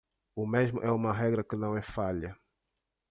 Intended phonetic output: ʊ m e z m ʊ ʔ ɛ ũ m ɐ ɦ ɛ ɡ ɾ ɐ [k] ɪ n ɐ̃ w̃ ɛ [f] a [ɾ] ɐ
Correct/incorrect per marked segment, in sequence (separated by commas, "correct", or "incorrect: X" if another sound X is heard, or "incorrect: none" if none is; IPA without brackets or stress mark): correct, correct, incorrect: ʎ